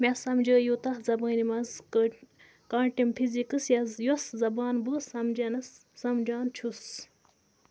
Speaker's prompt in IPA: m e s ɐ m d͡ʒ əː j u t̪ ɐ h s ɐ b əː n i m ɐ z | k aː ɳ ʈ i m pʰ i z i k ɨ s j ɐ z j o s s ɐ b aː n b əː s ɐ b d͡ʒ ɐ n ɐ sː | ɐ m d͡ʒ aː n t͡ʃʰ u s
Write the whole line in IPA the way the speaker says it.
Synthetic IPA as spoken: m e s ɐ m d͡ʒ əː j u t̪ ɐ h z ɐ b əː n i m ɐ z | k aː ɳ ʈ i m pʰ i z i k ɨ s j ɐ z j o s z ɐ b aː n b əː s ɐ m d͡ʒ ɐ n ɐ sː | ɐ m d͡ʒ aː n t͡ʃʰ u s